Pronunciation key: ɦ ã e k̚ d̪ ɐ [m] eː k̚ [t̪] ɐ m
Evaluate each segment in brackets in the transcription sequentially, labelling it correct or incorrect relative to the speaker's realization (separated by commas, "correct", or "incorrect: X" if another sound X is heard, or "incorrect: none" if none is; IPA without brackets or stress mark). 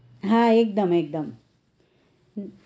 correct, incorrect: d̪